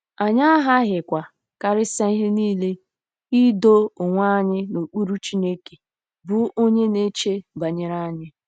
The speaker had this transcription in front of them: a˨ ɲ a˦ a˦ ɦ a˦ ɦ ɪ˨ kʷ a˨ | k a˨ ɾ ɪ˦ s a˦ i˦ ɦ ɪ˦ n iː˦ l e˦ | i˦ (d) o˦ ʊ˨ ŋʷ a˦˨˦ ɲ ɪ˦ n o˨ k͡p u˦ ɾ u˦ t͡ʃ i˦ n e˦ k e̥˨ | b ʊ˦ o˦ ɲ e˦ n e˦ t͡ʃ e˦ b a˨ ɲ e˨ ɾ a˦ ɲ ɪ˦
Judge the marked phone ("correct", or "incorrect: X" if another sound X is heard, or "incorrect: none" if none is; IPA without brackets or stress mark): correct